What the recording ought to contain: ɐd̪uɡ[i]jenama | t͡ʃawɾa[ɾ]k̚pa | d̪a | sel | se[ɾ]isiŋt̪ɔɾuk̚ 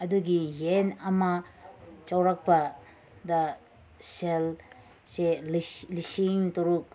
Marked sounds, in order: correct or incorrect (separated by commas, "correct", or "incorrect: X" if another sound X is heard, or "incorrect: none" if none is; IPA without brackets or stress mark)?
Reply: correct, incorrect: none, incorrect: l